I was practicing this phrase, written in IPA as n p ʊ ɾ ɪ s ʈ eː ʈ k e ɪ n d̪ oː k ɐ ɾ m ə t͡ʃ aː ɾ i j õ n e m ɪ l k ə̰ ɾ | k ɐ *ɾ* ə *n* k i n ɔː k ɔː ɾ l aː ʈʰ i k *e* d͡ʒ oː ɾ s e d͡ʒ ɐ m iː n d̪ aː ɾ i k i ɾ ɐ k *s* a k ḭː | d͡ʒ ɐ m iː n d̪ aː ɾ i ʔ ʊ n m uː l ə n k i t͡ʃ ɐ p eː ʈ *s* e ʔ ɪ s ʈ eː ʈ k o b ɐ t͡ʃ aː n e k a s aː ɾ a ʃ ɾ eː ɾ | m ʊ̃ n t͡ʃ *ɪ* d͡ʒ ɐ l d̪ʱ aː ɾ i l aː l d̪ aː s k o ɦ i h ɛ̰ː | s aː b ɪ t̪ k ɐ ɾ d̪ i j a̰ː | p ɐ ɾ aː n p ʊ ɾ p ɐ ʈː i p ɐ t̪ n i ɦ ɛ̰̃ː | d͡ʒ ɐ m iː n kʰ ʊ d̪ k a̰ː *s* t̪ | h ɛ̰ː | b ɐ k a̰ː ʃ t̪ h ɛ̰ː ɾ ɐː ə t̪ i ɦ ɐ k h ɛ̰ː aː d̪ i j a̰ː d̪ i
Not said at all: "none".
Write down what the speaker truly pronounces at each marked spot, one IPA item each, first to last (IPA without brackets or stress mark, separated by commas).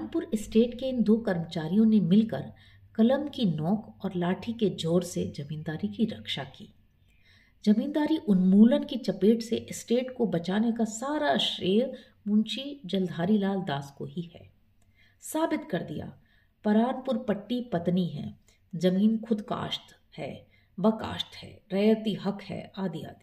l, m, e, ʃ, s, i, ʃ